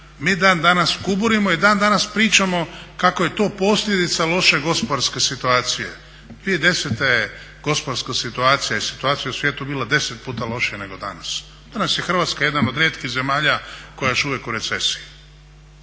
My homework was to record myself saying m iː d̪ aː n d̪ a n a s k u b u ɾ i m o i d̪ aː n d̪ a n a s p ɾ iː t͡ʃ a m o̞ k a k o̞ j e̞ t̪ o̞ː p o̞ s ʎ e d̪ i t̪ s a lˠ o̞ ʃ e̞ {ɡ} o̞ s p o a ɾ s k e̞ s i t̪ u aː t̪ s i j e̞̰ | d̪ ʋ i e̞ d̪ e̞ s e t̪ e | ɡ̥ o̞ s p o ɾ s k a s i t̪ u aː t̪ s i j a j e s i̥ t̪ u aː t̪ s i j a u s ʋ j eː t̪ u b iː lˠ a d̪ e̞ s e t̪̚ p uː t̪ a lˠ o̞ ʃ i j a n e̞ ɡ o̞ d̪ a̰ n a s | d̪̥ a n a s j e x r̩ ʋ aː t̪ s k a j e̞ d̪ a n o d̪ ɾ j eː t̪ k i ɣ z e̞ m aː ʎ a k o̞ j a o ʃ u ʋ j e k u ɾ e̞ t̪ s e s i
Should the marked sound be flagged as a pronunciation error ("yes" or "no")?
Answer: no